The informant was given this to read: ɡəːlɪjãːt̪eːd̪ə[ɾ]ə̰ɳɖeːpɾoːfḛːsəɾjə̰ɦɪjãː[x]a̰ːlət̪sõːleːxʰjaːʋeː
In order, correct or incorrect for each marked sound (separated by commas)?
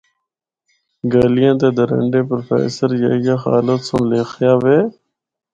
correct, correct